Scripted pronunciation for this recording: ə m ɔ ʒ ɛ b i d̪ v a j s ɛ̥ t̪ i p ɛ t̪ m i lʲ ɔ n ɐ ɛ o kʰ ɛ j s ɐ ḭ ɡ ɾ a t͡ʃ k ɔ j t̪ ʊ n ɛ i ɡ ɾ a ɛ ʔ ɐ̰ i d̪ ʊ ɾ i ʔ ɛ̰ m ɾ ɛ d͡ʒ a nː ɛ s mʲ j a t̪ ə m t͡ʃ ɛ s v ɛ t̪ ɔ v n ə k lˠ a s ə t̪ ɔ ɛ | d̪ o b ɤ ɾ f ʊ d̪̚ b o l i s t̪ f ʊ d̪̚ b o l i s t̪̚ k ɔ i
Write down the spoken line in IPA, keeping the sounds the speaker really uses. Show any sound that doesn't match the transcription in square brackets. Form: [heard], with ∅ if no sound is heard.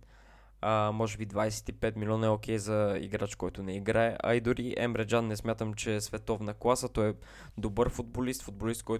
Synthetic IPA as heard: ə m ɔ ʒ ɛ b i d̪ v a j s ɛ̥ t̪ i p ɛ t̪ m i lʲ ɔ n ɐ ɛ o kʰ ɛ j [z] ɐ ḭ ɡ ɾ a t͡ʃ k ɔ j t̪ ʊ n ɛ i ɡ ɾ a ɛ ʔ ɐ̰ i d̪ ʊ ɾ i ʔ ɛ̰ m ɾ ɛ d͡ʒ a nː ɛ s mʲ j a t̪ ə m t͡ʃ ɛ s v ɛ t̪ ɔ v n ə k lˠ a s ə t̪ ɔ ɛ | d̪ o b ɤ ɾ f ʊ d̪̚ b o l i s t̪ f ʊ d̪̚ b o l i s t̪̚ k ɔ [j]